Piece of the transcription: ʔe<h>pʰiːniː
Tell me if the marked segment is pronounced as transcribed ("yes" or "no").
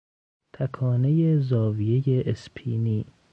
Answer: no